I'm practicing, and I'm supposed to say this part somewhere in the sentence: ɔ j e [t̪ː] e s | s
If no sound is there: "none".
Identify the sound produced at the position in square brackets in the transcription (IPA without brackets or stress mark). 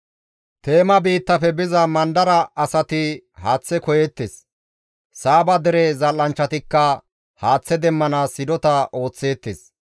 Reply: t̪ː